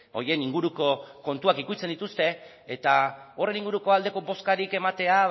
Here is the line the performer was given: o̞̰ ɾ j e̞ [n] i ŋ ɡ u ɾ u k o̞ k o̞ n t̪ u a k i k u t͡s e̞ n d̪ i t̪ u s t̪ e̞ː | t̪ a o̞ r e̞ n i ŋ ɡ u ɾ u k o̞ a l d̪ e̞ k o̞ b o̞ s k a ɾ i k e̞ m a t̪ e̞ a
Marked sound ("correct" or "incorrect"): correct